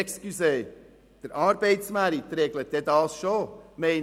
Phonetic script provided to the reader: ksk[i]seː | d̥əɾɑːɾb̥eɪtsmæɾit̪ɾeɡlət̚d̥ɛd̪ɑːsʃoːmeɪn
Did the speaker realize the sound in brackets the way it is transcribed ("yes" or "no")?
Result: no